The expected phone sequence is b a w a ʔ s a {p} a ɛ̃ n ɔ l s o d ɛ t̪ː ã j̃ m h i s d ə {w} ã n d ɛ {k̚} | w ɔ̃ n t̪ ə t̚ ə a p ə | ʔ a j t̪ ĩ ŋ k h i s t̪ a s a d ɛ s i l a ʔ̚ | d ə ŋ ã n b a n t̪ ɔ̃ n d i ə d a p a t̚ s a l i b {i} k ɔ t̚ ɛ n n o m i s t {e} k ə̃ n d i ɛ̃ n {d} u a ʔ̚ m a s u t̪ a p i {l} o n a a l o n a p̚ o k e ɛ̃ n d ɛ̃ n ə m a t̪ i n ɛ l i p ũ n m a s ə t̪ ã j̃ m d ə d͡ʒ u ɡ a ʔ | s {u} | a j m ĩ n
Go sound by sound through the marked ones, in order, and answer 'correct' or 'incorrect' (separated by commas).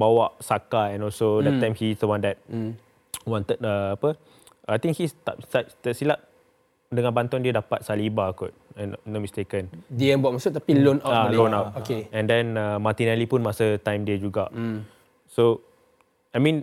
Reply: incorrect, correct, incorrect, incorrect, correct, incorrect, correct, incorrect